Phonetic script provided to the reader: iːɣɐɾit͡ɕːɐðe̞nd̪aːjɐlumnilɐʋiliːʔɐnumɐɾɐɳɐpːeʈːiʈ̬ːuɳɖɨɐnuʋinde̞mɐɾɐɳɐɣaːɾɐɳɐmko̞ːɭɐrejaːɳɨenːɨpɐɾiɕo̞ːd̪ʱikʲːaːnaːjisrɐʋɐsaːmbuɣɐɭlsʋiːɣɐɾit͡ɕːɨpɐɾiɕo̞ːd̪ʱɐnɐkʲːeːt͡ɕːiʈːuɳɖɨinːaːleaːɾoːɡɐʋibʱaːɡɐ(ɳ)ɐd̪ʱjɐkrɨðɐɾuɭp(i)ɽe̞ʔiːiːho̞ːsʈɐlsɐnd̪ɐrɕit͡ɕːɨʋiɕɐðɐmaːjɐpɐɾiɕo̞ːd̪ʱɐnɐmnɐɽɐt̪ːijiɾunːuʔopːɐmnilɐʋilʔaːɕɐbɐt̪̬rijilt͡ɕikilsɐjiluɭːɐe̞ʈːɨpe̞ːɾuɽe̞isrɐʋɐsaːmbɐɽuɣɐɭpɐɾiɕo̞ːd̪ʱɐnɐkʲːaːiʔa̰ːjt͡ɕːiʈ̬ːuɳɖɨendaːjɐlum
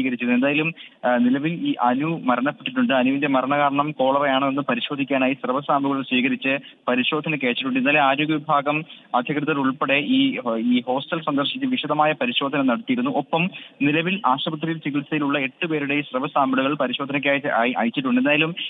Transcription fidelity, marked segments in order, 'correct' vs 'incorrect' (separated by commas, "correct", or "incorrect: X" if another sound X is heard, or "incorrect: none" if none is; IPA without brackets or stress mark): incorrect: m, incorrect: e